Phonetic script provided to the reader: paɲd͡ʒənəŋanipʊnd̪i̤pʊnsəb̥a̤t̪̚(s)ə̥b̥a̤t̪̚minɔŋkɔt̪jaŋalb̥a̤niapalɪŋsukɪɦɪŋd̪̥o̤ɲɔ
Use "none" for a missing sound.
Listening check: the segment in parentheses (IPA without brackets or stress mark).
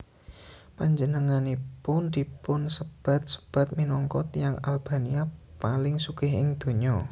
s